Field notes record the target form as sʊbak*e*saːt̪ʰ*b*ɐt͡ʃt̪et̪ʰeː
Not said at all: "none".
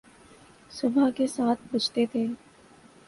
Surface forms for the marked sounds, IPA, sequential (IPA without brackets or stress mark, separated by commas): e, b